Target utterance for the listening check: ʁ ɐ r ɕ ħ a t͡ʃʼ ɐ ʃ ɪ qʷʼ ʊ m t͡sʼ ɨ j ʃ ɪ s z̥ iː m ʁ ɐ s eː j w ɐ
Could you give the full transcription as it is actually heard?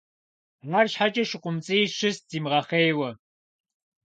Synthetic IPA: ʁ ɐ r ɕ ħ a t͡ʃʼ ɐ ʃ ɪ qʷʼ ʊ m t͡sʼ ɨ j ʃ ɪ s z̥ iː m ʁ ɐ χ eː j w ɐ

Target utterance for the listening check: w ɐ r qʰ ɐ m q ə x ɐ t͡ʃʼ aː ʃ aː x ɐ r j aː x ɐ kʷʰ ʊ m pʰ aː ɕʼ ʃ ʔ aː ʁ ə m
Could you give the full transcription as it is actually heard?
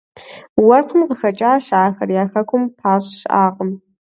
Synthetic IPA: w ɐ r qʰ ə m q ə x ɐ t͡ʃʼ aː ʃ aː x ɐ r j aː x ɐ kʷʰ ʊ m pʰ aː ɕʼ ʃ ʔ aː ʁ ə m

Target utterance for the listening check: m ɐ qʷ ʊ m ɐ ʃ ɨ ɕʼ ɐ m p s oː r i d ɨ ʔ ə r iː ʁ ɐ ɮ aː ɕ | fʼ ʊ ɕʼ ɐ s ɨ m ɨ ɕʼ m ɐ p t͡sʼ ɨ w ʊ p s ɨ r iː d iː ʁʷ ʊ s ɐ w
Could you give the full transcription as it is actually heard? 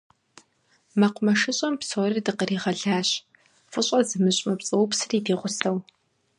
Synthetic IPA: m ɐ qʷ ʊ m ɐ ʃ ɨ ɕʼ ɐ m p s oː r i d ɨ q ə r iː ʁ ɐ ɮ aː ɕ | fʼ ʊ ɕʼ ɐ z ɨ m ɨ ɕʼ m ɐ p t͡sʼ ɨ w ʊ p s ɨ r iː d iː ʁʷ ʊ s ɐ w

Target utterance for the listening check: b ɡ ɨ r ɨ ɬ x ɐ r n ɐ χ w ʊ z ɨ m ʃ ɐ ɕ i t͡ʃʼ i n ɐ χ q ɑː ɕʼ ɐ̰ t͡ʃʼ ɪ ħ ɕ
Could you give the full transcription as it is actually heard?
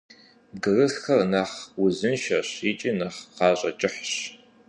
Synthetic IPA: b ɡ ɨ r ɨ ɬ x ɐ r n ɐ χ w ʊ z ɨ n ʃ ɐ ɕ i t͡ʃʼ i n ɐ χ q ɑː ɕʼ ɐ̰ t͡ʃʼ ɪ ħ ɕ

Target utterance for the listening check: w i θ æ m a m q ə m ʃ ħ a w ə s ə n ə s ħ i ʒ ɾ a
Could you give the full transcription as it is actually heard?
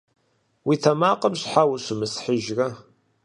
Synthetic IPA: w i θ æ m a q ə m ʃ ħ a w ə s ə m ə s ħ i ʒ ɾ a

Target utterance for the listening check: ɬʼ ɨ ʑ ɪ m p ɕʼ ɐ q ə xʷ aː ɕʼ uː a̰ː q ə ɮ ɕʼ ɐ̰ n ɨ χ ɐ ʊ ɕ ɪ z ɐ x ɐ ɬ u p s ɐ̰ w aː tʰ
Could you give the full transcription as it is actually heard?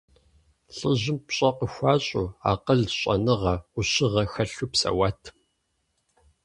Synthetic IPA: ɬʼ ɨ ʑ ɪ m p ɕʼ ɐ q ə xʷ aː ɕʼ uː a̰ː q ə ɮ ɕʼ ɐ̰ n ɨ ʁ ɐ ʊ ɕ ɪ ʁ ɐ x ɐ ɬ u p s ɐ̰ w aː tʰ

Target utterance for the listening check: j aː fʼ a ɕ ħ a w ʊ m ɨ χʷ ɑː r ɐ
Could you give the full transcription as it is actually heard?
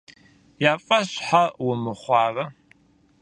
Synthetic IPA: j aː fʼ ɐ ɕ ħ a w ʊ m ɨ χʷ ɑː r ɐ

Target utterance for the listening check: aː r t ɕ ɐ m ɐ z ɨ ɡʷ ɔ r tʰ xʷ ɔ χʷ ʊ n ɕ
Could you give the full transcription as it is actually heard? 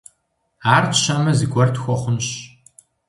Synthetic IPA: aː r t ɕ ɐ m ɐ z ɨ ɡʷ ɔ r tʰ xʷ ɔ χʷ ʊ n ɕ

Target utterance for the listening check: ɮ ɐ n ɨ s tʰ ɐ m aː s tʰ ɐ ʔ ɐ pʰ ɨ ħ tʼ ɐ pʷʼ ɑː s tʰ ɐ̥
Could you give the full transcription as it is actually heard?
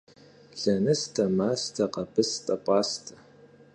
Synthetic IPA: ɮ ɐ n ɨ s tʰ ɐ m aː s tʰ ɐ q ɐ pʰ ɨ s tʼ ɐ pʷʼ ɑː s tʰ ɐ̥

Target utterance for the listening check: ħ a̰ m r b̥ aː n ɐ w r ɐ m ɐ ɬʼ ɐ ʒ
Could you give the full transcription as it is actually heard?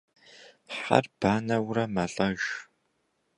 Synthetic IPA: ħ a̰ r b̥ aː n ɐ w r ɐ m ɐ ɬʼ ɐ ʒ

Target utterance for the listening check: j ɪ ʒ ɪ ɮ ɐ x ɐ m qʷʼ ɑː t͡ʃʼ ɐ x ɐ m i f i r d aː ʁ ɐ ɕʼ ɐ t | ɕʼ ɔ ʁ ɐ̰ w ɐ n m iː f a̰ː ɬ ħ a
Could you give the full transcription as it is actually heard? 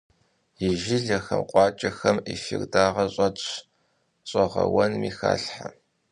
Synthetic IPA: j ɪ ʒ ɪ ɮ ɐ x ɐ m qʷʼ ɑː t͡ʃʼ ɐ x ɐ m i f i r d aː ʁ ɐ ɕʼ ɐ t | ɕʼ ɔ ʁ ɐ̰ w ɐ n m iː x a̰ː ɬ ħ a

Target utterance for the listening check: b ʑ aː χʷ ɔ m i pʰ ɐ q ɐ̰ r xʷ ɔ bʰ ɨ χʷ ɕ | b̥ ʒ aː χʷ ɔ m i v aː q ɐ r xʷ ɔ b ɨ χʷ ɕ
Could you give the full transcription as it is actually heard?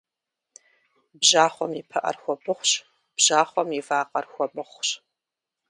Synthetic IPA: b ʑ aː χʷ ɔ m i pʰ ɐ ʔ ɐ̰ r xʷ ɔ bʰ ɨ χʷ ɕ | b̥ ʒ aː χʷ ɔ m i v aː q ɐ r xʷ ɔ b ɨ χʷ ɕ

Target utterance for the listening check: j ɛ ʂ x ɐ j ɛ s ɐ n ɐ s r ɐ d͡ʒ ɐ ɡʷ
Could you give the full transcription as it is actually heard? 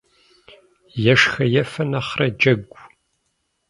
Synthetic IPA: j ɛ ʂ x ɐ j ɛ f ɐ n ɐ χ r ɐ d͡ʒ ɐ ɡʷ

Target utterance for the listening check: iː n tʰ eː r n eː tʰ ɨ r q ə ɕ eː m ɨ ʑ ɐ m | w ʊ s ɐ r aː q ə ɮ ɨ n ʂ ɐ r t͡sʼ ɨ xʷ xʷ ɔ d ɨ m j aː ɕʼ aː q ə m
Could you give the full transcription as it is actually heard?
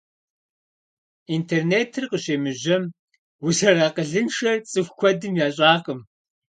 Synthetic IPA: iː n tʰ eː r n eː tʰ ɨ r q ə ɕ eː m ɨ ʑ ɐ m | w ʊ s ɐ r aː q ə ɮ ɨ n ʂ ɐ r t͡sʼ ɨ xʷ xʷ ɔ d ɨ m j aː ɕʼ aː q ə m

